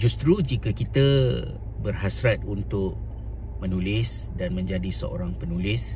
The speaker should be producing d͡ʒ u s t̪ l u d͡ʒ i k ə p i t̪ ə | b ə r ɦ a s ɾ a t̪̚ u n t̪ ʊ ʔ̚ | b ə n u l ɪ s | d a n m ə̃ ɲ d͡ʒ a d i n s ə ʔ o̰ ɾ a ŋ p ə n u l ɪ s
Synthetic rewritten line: d͡ʒ u s t̪ ɾ u d͡ʒ i k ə k i t̪ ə | b ə r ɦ a s ɾ a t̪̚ u n t̪ ʊ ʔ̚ | m ə n u l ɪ s | d a n m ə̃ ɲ d͡ʒ a d i s ə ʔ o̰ ɾ a ŋ p ə n u l ɪ s